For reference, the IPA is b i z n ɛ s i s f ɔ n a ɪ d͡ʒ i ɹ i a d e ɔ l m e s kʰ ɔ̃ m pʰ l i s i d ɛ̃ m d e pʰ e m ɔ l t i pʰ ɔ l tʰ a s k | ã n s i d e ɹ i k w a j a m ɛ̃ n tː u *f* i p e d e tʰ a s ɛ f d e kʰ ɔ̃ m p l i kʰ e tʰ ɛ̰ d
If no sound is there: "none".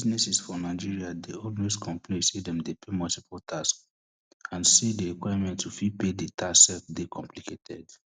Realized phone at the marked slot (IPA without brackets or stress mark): f